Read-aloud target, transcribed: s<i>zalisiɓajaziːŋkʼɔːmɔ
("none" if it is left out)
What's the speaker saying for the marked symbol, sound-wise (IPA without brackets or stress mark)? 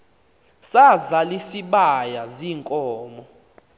a